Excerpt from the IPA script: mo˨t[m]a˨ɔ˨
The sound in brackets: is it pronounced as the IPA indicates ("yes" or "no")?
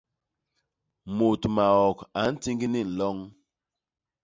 yes